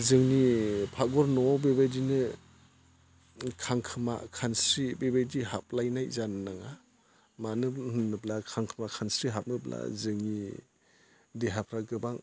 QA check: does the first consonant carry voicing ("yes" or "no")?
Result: yes